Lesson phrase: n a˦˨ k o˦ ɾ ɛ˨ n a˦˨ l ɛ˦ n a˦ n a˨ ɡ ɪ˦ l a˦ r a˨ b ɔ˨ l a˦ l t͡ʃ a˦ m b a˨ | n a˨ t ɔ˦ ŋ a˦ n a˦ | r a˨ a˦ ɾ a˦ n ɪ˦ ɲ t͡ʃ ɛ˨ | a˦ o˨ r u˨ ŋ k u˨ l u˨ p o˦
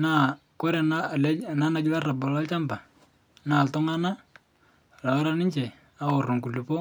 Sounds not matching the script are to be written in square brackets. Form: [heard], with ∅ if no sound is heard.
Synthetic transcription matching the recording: n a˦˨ k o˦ ɾ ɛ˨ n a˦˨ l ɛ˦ n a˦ n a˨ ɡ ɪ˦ l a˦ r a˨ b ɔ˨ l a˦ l t͡ʃ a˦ m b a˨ | n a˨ t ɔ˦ ŋ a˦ n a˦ | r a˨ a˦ ɾ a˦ n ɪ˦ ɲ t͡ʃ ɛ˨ | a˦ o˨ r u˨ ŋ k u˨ l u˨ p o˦

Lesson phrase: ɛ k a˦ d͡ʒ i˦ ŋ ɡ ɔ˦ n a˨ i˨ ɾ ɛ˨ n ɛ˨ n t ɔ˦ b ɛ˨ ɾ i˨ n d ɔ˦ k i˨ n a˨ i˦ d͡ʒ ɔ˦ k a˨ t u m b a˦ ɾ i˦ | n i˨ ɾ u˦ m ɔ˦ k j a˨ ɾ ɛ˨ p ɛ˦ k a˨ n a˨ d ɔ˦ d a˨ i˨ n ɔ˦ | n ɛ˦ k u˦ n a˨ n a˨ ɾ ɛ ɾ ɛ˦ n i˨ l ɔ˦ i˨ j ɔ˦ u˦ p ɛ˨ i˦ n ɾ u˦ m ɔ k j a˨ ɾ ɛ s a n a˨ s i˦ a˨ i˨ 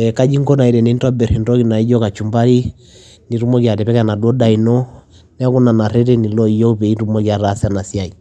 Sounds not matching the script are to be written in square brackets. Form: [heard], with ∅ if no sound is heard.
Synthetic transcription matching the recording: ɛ k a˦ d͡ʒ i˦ ŋ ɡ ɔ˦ n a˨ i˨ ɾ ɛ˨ n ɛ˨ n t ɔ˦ b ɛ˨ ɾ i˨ n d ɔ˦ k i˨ n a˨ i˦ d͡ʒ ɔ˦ k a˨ [t͡ʃ] u m b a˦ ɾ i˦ | n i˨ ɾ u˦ m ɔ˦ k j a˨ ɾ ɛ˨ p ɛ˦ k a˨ n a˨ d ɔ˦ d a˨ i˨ n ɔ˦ | n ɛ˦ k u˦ n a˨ n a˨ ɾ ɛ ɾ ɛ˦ n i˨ l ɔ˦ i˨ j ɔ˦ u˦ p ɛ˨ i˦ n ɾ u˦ m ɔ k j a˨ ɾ [a] s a n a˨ s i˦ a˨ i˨

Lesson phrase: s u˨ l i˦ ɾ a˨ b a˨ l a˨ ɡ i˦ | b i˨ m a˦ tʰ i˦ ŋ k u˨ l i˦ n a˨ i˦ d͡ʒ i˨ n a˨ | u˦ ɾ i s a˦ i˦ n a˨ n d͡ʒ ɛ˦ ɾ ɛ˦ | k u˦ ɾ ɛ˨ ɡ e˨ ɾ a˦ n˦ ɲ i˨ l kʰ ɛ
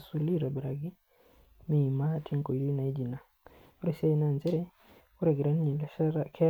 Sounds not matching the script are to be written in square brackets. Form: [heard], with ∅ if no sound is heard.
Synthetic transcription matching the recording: s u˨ l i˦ ɾ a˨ b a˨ [ɾ] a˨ ɡ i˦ | [m] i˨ m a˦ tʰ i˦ ŋ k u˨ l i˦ n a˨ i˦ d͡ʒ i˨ n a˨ | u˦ ɾ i s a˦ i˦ n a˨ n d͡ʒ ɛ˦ ɾ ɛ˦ | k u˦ ɾ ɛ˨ ɡ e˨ ɾ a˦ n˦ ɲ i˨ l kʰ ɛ

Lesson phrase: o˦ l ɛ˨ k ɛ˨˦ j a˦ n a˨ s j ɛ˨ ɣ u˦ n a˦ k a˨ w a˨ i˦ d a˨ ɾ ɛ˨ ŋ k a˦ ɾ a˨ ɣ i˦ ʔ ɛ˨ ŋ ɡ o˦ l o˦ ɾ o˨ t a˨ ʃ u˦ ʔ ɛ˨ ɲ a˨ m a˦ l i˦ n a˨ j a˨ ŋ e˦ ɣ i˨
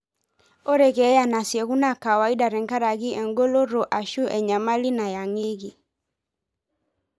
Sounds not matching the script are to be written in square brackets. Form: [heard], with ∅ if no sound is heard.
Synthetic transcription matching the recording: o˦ [ɾ] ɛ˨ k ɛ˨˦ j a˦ n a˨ s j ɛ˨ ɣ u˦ n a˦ k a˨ w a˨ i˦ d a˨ ɾ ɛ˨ ŋ k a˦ ɾ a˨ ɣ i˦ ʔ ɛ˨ ŋ ɡ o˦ l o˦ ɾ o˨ [ʔ] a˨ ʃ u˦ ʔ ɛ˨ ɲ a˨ m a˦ l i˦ n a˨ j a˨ ŋ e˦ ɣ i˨

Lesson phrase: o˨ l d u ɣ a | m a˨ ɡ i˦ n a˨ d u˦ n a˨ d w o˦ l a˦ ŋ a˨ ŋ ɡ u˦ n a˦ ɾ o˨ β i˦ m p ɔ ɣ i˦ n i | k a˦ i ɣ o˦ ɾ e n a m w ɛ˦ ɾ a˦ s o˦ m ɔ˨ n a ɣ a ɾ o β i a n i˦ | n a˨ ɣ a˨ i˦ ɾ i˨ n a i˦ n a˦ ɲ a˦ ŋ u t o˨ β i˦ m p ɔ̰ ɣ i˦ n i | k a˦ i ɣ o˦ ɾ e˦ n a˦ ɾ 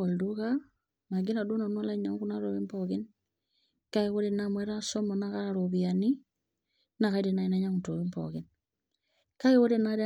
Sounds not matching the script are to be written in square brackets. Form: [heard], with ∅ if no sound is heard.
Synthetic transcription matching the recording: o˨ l d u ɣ a | m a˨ ɡ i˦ n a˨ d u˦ n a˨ [n] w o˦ l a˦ [ɲ] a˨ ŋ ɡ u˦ n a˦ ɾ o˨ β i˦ m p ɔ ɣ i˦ n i | k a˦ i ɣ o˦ ɾ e n a m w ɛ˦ ɾ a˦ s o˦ m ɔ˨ n a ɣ a ɾ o β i a n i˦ | n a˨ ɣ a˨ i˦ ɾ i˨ n a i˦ n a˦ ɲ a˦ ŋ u t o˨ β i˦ m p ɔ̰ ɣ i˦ n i | k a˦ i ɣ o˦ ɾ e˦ n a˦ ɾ

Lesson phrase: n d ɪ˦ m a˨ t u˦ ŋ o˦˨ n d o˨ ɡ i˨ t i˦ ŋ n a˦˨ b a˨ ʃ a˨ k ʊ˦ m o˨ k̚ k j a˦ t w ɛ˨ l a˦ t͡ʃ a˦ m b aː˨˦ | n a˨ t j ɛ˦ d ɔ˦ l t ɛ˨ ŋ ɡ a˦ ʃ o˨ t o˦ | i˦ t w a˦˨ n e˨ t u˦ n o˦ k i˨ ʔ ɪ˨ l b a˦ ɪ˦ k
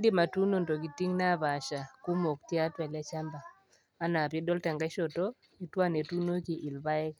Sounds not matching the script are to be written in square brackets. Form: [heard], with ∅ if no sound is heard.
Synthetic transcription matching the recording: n d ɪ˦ m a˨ t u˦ [n] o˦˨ n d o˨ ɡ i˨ t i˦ ŋ n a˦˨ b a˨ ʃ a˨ k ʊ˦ m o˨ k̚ [t] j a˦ t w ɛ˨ l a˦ t͡ʃ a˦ m b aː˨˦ | n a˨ [p] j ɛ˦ d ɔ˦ l t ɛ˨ ŋ ɡ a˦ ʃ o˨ t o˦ | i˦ t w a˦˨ n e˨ t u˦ n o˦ k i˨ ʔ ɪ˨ l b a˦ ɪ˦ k

